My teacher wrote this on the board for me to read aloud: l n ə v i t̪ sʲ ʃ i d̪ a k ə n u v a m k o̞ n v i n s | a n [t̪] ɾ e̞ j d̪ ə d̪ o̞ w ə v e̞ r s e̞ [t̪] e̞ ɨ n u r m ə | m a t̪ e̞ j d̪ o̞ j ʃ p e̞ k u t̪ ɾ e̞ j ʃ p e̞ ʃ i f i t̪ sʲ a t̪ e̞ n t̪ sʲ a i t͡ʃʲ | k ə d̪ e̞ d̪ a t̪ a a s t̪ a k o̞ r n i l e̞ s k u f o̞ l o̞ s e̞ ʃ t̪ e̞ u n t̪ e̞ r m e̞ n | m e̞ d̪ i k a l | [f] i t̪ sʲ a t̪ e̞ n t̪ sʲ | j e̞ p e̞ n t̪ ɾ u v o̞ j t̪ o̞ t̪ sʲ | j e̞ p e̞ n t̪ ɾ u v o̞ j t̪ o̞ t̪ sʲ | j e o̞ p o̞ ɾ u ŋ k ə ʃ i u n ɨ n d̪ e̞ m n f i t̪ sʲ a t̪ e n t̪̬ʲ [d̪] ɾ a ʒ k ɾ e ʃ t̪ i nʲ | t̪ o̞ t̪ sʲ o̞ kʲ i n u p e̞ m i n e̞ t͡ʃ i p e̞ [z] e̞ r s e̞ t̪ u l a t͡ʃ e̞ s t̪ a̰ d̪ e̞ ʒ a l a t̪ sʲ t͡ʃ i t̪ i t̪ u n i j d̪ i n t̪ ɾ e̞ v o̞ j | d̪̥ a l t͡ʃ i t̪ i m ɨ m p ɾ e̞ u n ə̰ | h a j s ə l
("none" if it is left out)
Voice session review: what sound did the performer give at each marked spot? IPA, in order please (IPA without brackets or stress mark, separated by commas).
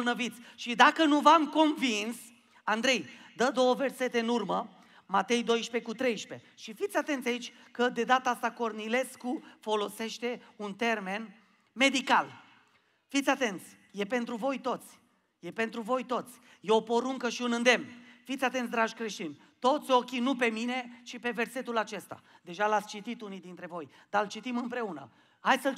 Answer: d̪, t̪, f, d̪, v